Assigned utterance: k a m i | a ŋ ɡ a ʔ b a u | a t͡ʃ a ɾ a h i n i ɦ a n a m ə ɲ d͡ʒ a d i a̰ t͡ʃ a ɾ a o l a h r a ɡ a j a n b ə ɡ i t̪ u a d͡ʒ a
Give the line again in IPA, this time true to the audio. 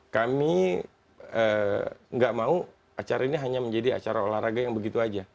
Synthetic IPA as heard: k a m i | ə ŋ ɡ a ʔ m a u | a t͡ʃ a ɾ a i n i ɦ a ɲ a m ə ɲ d͡ʒ a d i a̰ t͡ʃ a ɾ a o l a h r a ɡ a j a ŋ b ə ɡ i t̪ u a d͡ʒ a